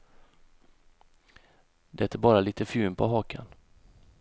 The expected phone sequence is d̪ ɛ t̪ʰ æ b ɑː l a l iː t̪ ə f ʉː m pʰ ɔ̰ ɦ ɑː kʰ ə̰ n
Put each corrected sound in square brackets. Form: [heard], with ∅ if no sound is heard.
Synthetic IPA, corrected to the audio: d̪ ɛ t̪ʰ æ b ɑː [ɾ] a l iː t̪ ə f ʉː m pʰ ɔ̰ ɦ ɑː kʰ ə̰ n